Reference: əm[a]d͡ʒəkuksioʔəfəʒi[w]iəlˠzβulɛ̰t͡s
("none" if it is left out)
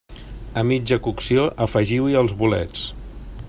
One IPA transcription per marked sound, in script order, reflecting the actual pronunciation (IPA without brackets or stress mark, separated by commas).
i, w